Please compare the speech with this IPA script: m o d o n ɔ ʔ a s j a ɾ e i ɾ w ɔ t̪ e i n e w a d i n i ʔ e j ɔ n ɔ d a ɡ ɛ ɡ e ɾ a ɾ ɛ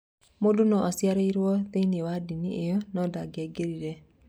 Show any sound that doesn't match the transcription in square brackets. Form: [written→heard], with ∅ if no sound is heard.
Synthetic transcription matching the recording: m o d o n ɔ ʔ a s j a ɾ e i ɾ w ɔ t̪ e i n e w a d i n i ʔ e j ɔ n ɔ d a ɡ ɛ ɡ e ɾ [a→i] ɾ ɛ